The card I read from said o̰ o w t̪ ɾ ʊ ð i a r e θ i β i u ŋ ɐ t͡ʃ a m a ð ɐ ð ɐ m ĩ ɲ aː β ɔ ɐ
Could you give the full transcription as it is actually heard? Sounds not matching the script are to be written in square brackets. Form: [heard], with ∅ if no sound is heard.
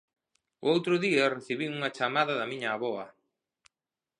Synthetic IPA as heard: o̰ o w t̪ ɾ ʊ ð i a r e θ i β i u ŋ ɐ t͡ʃ a m a ð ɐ ð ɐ m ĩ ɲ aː β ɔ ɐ